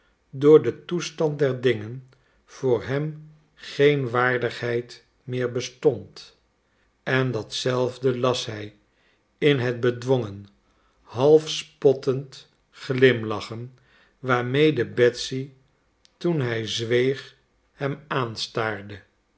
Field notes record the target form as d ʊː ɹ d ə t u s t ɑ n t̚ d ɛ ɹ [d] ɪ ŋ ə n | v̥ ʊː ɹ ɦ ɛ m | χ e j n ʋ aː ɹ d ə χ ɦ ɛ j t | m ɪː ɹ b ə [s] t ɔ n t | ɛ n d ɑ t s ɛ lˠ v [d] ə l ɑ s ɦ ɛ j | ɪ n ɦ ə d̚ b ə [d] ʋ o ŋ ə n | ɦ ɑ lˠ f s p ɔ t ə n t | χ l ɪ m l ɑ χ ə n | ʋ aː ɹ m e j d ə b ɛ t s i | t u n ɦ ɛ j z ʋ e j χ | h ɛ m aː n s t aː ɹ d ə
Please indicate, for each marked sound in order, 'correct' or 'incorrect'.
correct, correct, correct, correct

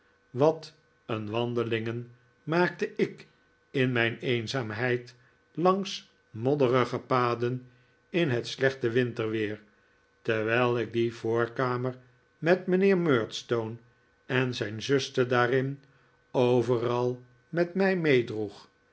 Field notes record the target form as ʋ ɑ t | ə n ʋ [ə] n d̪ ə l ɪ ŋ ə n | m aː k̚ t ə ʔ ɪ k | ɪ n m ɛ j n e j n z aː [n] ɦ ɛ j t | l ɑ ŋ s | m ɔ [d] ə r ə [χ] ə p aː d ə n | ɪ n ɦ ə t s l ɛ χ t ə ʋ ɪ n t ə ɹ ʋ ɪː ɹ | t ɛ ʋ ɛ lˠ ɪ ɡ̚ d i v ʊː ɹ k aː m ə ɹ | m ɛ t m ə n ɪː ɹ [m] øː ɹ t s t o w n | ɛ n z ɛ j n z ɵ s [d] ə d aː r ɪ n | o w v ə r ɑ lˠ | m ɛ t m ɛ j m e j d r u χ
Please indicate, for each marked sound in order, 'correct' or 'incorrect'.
incorrect: ɑ, incorrect: m, correct, correct, correct, incorrect: t

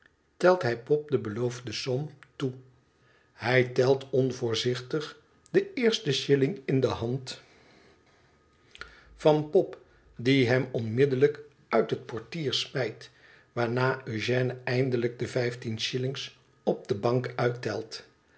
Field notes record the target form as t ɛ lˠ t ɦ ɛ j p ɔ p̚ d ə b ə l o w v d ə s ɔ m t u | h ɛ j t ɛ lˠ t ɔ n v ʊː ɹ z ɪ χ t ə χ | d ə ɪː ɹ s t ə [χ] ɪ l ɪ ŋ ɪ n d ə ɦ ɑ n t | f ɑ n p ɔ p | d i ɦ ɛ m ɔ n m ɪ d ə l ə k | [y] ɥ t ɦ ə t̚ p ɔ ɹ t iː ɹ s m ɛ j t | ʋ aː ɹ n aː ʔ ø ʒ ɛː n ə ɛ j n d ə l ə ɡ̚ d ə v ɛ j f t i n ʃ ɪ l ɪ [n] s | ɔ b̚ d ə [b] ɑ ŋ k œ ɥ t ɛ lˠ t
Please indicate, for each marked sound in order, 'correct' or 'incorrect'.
incorrect: ʃ, incorrect: œ, incorrect: ŋ, correct

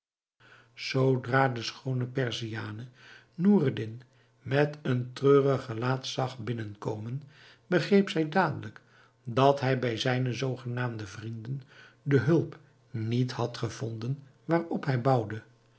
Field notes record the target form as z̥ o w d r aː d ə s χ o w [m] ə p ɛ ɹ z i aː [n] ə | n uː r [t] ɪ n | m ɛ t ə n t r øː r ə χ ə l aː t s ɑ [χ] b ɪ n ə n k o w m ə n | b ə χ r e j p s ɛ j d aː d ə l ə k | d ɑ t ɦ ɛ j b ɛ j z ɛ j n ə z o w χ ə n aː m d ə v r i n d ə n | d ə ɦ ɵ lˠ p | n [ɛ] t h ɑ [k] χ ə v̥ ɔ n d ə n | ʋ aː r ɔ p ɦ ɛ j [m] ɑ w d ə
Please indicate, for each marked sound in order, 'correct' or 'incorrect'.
incorrect: n, correct, incorrect: d, correct, incorrect: i, incorrect: t, incorrect: b

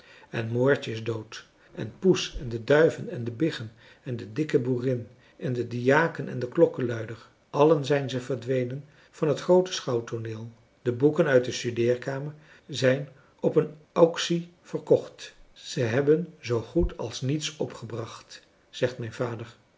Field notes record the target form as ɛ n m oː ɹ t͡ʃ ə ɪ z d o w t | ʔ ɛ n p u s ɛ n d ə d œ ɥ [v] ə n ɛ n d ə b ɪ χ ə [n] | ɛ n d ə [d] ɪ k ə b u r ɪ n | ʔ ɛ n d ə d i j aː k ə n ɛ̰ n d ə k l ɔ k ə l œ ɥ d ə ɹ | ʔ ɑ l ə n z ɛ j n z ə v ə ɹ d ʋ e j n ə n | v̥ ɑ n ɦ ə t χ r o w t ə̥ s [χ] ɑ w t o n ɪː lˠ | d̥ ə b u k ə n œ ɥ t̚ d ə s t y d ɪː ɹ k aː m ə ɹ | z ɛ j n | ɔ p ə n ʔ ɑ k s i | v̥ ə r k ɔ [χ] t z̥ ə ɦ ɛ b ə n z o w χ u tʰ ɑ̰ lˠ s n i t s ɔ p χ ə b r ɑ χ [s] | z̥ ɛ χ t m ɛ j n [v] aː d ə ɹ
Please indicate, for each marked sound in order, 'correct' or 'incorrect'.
correct, correct, correct, correct, correct, incorrect: t, correct

